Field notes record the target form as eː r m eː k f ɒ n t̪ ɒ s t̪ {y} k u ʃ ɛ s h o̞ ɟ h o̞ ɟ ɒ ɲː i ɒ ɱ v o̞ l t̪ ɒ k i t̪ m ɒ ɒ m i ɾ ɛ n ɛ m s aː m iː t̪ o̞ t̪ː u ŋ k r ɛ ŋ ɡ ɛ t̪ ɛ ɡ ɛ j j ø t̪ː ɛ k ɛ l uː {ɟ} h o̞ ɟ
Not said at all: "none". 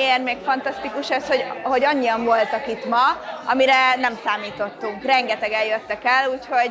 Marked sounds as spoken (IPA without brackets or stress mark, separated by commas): i, c